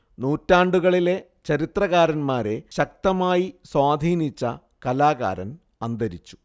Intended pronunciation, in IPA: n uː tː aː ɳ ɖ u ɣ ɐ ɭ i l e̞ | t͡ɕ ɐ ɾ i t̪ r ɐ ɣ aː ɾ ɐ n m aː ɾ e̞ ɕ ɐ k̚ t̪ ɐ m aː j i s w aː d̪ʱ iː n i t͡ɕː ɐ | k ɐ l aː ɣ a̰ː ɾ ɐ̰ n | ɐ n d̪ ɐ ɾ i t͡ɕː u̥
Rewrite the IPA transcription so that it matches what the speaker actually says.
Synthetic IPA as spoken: n uː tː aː ɳ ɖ u ɣ ɐ ɭ i l e̞ | t͡ɕ ɐ ɾ i t̪ r ɐ ɣ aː ɾ ɐ n m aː ɾ e̞ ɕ ɐ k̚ t̪ ɐ m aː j i s w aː d̪ʱ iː n i t͡ɕː ɐ | k ɐ l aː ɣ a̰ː ɾ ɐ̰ n | ɐ n d̪ ɐ ɾ i t͡ɕː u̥